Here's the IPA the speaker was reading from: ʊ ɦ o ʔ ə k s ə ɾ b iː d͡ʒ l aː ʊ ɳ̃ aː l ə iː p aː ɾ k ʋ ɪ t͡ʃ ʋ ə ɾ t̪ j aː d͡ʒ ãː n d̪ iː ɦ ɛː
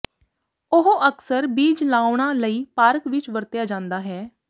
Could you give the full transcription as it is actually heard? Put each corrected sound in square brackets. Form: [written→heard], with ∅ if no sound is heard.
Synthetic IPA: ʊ ɦ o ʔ ə k s ə ɾ b iː d͡ʒ l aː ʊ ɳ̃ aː l ə iː p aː ɾ k ʋ ɪ t͡ʃ ʋ ə ɾ t̪ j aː d͡ʒ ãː n d̪ [iː→aː] ɦ ɛː